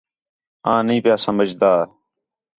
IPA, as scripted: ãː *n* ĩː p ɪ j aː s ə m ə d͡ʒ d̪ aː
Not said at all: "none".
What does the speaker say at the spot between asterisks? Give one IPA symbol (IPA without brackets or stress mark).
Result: n